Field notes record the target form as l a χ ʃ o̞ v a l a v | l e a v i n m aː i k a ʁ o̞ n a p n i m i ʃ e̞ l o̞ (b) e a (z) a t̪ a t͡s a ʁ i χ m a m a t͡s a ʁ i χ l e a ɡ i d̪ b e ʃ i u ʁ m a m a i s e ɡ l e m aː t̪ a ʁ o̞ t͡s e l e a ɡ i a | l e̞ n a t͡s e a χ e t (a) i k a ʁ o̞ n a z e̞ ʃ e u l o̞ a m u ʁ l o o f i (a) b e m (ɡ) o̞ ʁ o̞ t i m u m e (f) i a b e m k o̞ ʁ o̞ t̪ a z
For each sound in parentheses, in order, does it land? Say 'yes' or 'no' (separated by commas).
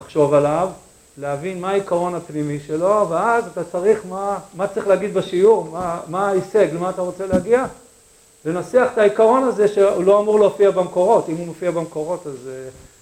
no, yes, yes, yes, no, yes